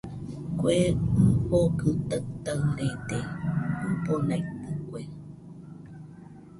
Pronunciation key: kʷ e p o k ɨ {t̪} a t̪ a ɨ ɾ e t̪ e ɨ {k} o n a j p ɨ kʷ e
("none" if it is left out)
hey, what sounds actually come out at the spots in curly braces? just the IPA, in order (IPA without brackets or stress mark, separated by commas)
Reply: t̪, p